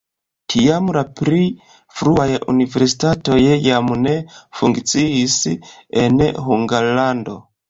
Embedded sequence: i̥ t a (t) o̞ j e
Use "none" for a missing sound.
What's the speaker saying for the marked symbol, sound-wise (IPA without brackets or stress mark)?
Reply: t